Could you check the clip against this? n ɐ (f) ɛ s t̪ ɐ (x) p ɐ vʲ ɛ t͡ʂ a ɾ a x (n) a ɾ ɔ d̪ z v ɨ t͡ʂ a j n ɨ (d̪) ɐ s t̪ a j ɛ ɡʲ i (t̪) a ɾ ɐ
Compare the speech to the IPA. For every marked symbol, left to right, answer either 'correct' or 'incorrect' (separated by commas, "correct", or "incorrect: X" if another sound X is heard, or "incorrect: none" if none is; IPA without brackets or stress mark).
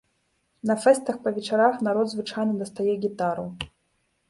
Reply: correct, correct, correct, correct, correct